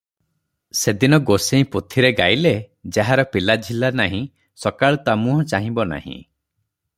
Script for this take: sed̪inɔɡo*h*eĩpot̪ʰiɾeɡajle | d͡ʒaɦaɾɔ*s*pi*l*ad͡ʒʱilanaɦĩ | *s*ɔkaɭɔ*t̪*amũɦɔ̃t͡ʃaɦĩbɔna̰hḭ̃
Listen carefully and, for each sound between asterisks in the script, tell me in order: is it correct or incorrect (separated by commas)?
incorrect, incorrect, correct, correct, correct